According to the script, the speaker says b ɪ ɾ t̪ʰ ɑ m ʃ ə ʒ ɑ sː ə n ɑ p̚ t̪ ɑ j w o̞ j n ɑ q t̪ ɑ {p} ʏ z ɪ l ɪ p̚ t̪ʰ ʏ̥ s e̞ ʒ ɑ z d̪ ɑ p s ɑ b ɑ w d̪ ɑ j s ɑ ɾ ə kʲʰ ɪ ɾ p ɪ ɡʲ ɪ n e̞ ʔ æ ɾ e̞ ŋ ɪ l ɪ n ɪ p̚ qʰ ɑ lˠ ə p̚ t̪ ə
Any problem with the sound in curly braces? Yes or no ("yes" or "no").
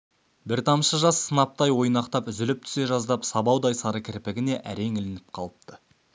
no